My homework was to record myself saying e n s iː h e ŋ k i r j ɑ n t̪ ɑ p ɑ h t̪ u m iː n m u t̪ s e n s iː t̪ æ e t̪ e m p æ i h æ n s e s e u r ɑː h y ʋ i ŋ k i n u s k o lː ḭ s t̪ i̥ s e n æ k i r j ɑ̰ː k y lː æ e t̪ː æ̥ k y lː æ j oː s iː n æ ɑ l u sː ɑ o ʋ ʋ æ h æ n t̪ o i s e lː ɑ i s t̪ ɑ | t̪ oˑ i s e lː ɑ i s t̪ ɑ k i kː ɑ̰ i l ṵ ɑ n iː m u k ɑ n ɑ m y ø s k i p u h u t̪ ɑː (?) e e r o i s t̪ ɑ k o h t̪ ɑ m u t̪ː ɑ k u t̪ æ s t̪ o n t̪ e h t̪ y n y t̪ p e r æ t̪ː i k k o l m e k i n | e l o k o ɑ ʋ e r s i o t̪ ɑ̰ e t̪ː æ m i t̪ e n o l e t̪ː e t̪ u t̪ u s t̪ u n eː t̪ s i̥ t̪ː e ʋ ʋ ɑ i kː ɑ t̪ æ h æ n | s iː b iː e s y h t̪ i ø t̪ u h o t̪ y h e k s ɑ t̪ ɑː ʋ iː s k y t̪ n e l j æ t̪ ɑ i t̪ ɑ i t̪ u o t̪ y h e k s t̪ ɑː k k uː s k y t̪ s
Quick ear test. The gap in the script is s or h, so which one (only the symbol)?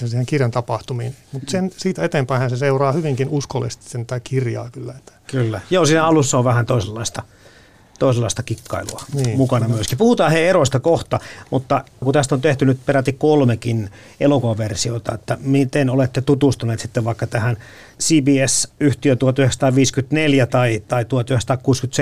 h